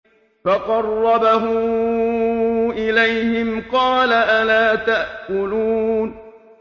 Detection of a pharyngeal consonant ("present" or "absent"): absent